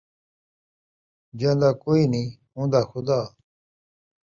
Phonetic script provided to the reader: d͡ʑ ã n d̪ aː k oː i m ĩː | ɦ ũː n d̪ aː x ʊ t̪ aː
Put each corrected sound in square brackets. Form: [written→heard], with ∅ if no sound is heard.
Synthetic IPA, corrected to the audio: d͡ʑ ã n d̪ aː k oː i [m→n] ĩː | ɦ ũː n d̪ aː x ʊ [t̪→d̪] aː